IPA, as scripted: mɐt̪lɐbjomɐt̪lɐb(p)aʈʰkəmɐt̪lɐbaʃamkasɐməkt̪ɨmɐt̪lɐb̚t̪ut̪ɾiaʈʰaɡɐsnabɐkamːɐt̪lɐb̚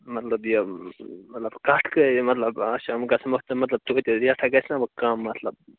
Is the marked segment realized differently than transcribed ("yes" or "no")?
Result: yes